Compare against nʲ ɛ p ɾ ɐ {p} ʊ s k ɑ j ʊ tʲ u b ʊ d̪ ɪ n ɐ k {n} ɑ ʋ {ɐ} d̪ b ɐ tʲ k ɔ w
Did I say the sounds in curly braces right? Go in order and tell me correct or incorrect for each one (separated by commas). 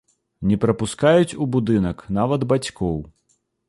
correct, correct, correct